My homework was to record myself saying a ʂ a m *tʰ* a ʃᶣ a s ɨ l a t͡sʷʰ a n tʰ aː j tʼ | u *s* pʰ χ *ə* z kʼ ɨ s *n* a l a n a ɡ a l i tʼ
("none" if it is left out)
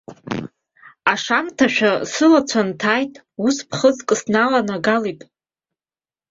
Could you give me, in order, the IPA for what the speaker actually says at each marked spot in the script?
tʰ, s, ə, n

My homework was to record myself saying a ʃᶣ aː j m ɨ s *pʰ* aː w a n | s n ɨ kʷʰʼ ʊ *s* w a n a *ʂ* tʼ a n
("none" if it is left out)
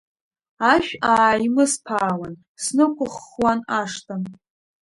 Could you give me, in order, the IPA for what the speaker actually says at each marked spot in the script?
pʰ, χ, ʂ

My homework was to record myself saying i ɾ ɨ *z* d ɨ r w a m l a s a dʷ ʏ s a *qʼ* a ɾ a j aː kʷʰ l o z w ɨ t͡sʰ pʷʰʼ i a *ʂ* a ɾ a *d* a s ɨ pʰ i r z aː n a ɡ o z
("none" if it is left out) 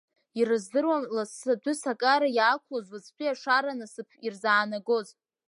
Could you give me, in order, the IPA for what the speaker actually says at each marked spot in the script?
z, kʼ, ʂ, n

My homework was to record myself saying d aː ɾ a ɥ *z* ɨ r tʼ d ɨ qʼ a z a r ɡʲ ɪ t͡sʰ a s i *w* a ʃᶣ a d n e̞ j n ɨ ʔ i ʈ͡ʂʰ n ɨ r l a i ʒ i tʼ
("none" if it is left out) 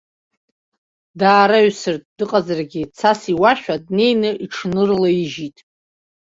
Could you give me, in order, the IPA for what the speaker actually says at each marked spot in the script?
s, w

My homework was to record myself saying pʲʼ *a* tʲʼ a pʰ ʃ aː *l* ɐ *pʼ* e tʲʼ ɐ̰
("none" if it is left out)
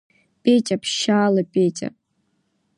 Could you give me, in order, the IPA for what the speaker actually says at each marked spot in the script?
e, l, pʼ

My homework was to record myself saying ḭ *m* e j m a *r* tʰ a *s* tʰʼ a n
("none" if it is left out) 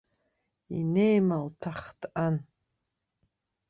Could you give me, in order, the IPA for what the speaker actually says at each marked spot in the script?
n, l, χ

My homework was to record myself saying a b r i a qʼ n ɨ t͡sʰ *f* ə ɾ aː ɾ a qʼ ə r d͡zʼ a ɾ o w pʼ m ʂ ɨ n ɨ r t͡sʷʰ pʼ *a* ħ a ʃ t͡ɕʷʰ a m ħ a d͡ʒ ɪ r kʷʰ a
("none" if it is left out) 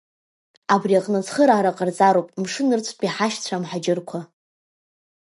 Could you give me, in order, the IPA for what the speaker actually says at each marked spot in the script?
χ, i

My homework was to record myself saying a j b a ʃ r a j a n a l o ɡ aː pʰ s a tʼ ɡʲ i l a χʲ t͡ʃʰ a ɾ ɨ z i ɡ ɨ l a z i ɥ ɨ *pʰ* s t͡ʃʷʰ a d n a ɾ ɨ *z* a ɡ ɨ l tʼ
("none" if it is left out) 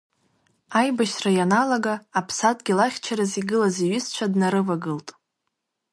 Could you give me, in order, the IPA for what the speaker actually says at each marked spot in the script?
none, v

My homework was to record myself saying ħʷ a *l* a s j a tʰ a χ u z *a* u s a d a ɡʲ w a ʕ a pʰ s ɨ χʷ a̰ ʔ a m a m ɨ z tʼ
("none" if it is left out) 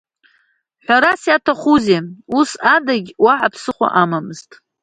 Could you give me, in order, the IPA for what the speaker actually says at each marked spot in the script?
ɾ, e

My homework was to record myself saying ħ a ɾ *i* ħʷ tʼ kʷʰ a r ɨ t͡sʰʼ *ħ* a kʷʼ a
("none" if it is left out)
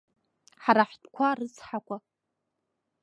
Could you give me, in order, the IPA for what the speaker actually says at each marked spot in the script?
a, ħ

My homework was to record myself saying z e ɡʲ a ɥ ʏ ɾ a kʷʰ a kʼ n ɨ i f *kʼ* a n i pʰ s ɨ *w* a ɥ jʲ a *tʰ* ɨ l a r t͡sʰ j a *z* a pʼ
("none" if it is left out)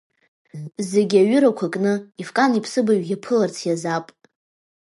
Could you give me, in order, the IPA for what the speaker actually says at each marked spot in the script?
kʼ, b, pʰ, z

